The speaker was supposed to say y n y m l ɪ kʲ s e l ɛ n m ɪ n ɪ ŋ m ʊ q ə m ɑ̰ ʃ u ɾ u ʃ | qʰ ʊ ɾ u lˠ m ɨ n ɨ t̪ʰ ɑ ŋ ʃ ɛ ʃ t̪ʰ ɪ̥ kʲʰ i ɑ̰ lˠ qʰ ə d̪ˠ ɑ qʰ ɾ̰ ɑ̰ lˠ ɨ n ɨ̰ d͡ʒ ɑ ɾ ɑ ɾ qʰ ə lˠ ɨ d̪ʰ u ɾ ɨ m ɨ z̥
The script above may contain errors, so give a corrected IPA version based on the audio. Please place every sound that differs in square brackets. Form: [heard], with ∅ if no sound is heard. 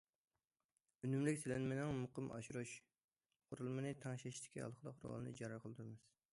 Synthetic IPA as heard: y n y m l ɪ kʲ s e l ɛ n m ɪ n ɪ ŋ m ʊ q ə m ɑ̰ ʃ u ɾ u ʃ | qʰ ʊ ɾ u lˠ m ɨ n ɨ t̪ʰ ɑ ŋ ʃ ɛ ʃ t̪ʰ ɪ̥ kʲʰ i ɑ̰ lˠ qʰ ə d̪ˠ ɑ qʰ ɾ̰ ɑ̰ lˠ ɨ n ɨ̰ d͡ʒ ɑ ɾ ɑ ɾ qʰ ə lˠ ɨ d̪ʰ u ɾ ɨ m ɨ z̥